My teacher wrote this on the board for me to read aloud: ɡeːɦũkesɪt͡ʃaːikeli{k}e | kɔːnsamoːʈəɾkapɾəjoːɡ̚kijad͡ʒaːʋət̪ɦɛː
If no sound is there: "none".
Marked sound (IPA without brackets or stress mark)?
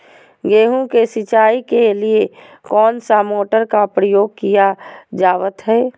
none